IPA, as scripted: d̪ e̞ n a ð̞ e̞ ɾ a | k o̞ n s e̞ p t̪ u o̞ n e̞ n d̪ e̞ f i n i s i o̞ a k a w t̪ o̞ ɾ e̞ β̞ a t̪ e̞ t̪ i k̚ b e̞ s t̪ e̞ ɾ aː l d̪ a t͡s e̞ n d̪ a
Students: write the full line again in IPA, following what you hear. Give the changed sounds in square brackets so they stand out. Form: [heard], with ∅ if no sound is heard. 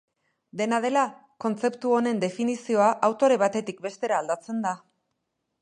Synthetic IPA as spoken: d̪ e̞ n a ð̞ e̞ [l] a | k o̞ n [t͡s] e̞ p t̪ u o̞ n e̞ n d̪ e̞ f i n i s i o̞ a [ʔ] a w t̪ o̞ ɾ e̞ β̞ a t̪ e̞ t̪ i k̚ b e̞ s t̪ e̞ ɾ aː l d̪ a t͡s e̞ n d̪ a

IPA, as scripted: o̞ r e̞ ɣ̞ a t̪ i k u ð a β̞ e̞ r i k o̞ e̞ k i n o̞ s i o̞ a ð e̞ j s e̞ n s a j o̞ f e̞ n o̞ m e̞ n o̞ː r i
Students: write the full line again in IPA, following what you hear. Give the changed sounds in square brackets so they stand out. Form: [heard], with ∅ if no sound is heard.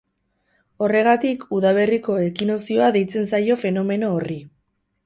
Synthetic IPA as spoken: o̞ r e̞ ɣ̞ a t̪ i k u ð a β̞ e̞ r i k o̞ e̞ k i n o̞ s i o̞ a ð e̞ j [t͡s] e̞ n s a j o̞ f e̞ n o̞ m e̞ n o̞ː r i

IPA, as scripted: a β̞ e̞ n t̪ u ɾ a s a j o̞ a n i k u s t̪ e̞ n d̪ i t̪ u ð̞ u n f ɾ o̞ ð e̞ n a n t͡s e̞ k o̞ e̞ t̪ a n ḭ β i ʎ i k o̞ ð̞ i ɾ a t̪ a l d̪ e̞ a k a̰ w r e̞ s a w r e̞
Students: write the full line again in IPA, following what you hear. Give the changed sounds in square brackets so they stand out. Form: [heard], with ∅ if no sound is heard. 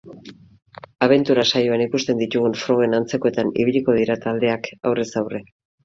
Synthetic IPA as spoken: a β̞ e̞ n t̪ u ɾ a s a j o̞ a n i k u s t̪ e̞ n d̪ i t̪ u [ɣ̞] u n f ɾ o̞ [ɣ] e̞ n a n t͡s e̞ k o̞ e̞ t̪ a n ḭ β i ʎ i k o̞ ð̞ i ɾ a t̪ a l d̪ e̞ a k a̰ w r e̞ s a w r e̞

